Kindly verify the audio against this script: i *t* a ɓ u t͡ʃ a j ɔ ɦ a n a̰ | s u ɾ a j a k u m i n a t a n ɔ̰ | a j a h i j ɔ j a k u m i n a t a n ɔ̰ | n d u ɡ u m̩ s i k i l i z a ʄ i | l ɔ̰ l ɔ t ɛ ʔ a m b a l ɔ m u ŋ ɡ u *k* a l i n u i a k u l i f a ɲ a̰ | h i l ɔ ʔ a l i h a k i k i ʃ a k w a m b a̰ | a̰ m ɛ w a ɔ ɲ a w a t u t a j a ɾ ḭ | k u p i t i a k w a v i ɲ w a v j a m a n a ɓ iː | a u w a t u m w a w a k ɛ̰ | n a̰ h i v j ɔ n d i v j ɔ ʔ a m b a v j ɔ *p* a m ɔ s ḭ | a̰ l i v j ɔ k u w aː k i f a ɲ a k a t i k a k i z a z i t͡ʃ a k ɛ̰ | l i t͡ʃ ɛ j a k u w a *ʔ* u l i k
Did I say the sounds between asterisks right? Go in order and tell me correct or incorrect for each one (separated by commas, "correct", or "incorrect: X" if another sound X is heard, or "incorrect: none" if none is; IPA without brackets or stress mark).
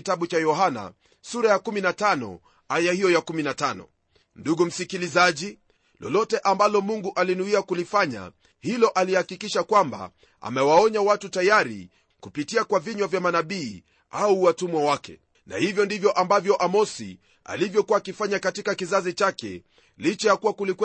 correct, incorrect: ʔ, incorrect: ʔ, incorrect: k